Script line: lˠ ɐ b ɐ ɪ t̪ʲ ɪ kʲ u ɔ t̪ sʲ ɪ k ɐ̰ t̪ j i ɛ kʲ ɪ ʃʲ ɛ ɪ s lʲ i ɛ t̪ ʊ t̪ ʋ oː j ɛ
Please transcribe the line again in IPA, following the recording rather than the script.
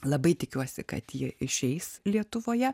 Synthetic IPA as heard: lˠ ɐ b ɐ ɪ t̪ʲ ɪ kʲ u ɔ sʲ ɪ k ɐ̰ t̪ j i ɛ ɪ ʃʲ ɛ ɪ s lʲ i ɛ t̪ ʊ ʋ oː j ɛ